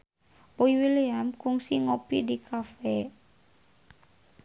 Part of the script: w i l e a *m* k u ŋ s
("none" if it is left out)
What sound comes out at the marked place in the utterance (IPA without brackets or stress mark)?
m